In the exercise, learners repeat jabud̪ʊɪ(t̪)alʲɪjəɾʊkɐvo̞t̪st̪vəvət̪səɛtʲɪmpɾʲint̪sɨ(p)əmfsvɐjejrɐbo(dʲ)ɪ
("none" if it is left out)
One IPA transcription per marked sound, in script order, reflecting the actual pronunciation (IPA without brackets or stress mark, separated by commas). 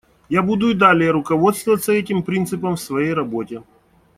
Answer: d̪, p, tʲ